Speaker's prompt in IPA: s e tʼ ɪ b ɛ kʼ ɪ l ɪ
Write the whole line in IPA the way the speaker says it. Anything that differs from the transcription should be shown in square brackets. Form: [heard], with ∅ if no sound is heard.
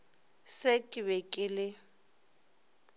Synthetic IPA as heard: s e [kʼ] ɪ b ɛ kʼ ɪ l ɪ